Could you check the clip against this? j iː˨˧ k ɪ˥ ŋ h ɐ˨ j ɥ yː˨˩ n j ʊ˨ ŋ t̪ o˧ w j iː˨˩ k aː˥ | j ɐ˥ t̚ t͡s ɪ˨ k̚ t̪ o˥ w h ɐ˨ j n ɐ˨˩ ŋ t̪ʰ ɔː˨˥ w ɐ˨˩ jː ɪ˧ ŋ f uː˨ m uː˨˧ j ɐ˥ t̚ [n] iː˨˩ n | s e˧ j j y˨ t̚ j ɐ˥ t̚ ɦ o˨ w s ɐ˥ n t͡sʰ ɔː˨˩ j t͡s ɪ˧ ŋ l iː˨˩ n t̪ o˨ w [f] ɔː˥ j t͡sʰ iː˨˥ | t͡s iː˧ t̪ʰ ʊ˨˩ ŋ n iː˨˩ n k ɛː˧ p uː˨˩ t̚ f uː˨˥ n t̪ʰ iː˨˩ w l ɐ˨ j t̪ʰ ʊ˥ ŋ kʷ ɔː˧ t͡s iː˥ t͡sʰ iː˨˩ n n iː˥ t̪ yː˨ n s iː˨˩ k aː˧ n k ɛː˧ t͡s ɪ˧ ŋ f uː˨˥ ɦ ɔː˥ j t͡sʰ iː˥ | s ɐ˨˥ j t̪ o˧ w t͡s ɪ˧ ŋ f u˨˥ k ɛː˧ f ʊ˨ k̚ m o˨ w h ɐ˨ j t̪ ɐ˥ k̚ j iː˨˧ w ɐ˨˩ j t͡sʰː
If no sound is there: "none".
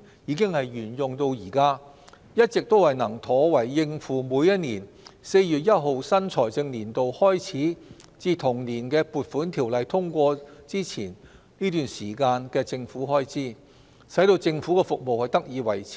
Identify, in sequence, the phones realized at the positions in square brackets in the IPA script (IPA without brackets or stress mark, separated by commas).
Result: n, h